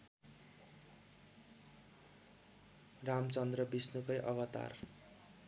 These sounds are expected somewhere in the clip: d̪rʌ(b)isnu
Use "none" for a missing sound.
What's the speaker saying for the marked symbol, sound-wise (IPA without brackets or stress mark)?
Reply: b